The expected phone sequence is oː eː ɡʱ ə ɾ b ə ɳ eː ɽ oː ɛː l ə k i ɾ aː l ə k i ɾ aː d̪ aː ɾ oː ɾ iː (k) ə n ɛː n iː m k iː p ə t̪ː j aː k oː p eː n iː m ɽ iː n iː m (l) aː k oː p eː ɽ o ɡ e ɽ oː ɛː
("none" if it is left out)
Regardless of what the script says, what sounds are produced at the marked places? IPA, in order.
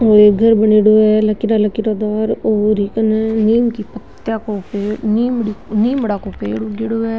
k, ɽ

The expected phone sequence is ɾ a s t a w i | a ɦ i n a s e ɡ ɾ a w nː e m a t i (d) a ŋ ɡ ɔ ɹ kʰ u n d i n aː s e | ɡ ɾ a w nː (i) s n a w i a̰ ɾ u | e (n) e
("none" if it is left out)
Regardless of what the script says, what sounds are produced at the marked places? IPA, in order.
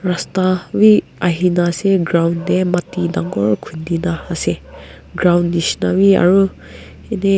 d, i, n

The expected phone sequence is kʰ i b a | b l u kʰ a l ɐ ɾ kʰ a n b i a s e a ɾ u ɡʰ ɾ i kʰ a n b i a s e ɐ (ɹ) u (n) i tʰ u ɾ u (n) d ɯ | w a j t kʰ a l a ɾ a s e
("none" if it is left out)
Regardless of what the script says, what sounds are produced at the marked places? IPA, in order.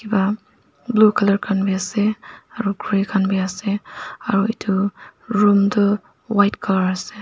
ɾ, none, m

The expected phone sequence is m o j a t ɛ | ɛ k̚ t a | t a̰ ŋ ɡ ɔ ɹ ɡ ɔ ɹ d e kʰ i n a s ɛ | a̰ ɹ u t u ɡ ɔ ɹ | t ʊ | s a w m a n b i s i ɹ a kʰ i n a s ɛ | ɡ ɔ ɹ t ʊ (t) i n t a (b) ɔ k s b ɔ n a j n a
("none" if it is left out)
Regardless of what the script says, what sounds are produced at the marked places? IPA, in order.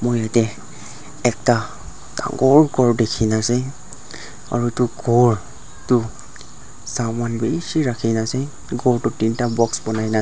t, b

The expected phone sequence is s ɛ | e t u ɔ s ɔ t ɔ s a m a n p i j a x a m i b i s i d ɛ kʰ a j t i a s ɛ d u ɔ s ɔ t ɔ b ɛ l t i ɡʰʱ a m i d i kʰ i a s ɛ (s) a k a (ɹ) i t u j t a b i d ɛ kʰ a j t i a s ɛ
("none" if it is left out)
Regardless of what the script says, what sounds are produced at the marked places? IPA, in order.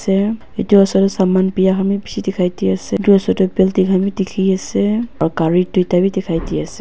none, ɹ

